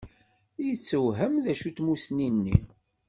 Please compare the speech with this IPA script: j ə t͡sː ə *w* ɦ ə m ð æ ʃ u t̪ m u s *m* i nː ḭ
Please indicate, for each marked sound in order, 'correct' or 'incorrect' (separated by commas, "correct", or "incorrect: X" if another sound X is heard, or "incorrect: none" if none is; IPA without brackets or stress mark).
correct, incorrect: n